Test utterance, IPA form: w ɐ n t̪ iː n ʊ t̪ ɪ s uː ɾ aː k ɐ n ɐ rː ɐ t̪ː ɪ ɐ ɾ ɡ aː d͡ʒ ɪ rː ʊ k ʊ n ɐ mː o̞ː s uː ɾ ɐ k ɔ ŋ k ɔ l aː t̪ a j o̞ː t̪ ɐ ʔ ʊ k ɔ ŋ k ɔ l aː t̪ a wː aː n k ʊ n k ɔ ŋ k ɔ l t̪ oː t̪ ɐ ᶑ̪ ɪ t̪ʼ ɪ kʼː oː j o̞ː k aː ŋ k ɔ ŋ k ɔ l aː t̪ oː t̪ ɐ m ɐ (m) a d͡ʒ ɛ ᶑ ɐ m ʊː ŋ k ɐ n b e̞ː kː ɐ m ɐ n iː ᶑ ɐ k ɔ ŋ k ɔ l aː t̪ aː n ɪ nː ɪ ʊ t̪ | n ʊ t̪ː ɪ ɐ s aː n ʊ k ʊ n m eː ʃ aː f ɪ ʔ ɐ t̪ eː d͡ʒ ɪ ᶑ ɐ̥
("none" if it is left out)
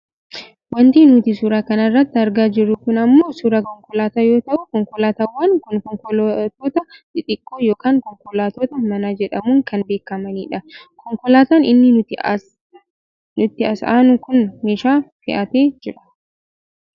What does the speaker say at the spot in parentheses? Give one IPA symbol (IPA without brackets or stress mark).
n